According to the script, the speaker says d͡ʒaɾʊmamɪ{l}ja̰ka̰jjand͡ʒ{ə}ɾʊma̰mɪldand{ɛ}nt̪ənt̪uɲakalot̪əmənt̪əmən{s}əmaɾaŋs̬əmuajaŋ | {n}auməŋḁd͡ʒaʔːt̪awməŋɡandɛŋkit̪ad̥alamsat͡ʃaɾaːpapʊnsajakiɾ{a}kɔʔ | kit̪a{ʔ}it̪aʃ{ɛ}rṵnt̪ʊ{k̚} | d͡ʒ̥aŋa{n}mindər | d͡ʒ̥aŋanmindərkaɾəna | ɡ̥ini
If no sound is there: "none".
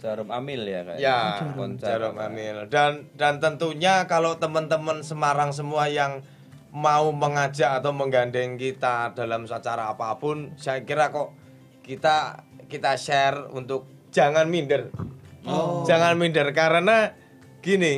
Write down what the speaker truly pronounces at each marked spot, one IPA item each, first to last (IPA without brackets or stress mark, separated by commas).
l, a, a, s, m, a, k, ɛ, k̚, n